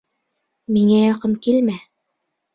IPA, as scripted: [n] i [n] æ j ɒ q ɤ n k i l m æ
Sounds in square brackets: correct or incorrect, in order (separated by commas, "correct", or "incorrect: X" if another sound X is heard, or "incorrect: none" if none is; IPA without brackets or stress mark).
incorrect: m, incorrect: ŋ